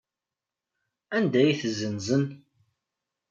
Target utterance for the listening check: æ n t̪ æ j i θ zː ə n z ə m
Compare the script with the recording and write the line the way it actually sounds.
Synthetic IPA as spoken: æ n d̪ æ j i θ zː ə n z ə n